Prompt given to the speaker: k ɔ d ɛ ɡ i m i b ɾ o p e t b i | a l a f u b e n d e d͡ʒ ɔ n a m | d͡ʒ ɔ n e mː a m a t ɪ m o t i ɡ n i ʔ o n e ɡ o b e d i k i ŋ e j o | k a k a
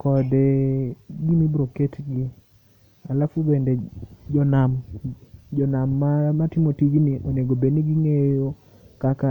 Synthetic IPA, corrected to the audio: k ɔ d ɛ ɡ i m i b ɾ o k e t ɡ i | a l a f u b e n d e d͡ʒ ɔ n a m | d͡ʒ ɔ n a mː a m a t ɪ m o t i ɡ n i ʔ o n e ɡ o b e n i ɡ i ŋ e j o | k a k a